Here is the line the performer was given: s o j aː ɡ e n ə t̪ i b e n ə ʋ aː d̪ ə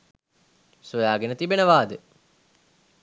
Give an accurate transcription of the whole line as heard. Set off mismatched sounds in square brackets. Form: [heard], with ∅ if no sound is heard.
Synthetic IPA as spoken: s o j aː ɡ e n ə t̪ i b e n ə ʋ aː d̪ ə